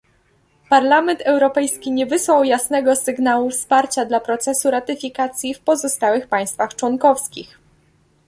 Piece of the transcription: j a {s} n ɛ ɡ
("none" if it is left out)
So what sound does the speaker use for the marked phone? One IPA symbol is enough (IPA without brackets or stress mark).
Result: s